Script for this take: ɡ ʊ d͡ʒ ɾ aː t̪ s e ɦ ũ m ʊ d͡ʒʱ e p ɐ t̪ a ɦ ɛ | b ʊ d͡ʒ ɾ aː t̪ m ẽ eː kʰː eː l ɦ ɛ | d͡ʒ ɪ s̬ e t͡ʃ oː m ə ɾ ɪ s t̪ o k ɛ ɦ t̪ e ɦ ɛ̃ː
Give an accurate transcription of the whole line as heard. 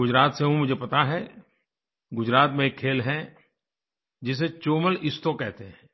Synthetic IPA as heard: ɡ ʊ d͡ʒ ɾ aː t̪ s e ɦ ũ m ʊ d͡ʒʱ e p ɐ t̪ a ɦ ɛ | ɡ ʊ d͡ʒ ɾ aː t̪ m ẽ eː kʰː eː l ɦ ɛ | d͡ʒ ɪ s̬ e t͡ʃ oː m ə l ɪ s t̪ o k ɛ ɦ t̪ e ɦ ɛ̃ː